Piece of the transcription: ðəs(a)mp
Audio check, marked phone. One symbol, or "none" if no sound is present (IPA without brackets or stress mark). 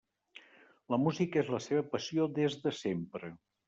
e